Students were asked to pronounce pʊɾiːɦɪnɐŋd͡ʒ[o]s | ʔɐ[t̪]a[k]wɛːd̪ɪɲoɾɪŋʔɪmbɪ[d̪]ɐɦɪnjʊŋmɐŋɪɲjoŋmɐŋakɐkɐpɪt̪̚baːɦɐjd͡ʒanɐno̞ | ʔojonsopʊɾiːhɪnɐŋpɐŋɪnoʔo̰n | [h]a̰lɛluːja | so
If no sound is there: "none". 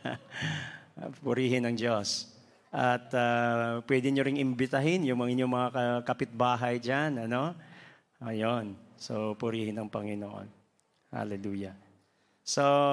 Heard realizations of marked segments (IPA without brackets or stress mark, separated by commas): o, t̪, p, t̪, h